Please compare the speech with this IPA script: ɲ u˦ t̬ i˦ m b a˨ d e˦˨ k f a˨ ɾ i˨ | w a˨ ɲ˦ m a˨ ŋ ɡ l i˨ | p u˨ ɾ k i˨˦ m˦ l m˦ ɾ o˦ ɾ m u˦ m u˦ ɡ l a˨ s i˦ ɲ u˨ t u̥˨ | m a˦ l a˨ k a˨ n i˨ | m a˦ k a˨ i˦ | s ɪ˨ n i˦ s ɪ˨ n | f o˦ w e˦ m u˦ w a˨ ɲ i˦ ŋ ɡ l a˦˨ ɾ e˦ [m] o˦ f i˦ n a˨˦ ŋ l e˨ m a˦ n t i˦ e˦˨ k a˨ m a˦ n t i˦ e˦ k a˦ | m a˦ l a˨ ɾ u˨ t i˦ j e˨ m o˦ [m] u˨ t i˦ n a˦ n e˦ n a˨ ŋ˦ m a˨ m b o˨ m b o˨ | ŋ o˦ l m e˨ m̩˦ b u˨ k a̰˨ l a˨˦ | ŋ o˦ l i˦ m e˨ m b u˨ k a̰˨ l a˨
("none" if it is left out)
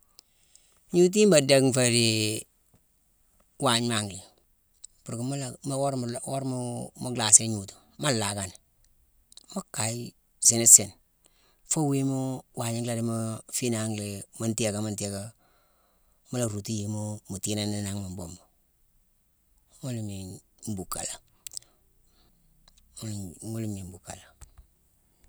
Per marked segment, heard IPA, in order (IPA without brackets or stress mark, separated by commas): m, m